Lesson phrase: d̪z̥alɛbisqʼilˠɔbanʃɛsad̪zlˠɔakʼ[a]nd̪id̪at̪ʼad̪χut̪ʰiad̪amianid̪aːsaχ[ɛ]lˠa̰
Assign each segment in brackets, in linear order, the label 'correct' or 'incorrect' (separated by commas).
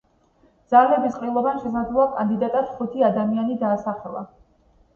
correct, correct